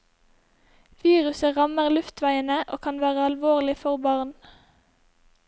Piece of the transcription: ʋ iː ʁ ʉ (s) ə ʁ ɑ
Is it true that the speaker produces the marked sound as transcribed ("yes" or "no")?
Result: yes